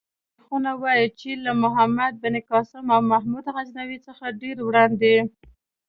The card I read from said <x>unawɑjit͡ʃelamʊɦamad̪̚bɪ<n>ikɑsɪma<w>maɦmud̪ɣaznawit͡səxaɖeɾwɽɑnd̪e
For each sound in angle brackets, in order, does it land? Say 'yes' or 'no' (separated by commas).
yes, yes, yes